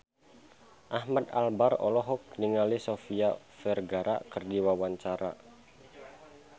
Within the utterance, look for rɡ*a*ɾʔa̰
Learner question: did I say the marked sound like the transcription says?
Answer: yes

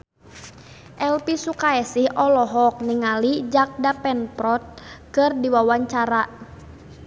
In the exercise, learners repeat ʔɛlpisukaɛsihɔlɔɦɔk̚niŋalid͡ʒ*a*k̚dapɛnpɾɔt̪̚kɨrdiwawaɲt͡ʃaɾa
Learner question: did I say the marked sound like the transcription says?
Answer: yes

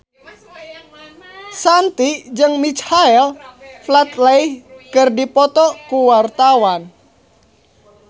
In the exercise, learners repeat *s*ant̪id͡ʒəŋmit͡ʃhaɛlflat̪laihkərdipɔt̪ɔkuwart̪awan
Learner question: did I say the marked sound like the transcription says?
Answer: yes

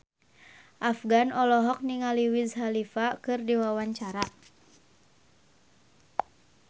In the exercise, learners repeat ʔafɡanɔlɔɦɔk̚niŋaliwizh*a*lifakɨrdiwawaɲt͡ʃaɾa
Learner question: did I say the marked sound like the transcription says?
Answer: yes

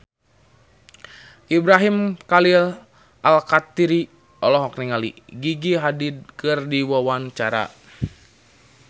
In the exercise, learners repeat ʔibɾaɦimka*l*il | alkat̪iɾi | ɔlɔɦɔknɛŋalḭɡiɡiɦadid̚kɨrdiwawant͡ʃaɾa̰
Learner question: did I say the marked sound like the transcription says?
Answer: yes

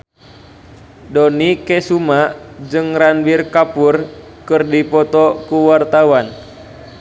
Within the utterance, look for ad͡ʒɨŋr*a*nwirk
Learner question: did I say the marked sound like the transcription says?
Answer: yes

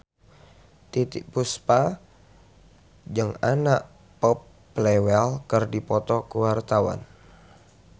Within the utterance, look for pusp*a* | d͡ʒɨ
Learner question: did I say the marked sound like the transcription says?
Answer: yes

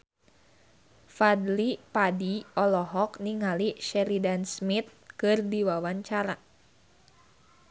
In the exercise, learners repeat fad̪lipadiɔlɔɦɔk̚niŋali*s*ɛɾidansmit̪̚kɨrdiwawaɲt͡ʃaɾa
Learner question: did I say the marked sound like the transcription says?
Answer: no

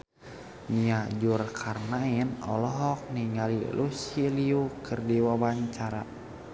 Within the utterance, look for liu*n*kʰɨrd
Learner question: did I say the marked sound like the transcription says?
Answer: no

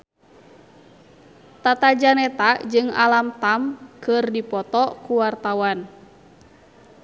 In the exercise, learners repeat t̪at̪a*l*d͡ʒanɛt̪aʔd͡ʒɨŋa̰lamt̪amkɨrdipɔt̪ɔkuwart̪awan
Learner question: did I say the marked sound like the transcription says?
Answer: no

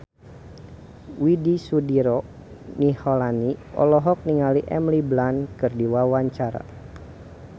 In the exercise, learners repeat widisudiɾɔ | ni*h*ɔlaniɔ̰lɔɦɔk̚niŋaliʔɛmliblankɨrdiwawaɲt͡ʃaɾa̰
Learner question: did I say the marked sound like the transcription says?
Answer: yes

